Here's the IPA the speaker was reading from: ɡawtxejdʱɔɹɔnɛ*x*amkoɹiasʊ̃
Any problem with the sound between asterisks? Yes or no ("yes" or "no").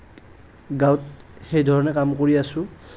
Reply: yes